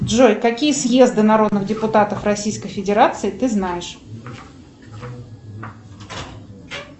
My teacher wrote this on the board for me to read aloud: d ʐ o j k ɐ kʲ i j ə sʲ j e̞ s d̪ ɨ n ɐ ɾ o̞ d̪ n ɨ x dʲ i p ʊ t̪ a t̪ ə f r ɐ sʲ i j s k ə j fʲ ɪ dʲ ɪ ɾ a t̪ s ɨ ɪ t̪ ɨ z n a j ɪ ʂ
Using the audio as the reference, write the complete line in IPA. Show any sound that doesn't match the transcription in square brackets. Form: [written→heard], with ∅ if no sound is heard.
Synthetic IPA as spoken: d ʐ o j k ɐ kʲ i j ə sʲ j e̞ [s→z] d̪ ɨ n ɐ ɾ o̞ d̪ n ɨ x dʲ [i→ɪ] p ʊ t̪ a t̪ ə f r ɐ sʲ i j s k ə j fʲ ɪ dʲ ɪ ɾ a t̪ s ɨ ɪ t̪ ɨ z n a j ɪ ʂ